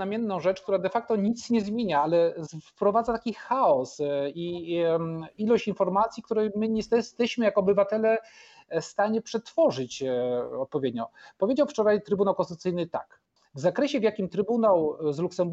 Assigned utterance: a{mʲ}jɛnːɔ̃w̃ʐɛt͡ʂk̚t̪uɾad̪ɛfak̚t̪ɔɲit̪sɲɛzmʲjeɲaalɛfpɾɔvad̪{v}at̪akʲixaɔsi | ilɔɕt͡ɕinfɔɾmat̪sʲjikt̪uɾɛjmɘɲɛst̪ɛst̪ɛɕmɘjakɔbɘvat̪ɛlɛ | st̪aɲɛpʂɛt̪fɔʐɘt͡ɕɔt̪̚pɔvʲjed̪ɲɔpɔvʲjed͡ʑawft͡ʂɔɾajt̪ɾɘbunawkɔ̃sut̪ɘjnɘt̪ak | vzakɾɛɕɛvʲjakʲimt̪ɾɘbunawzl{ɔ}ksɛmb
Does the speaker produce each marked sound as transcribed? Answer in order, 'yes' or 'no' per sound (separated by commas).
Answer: yes, no, no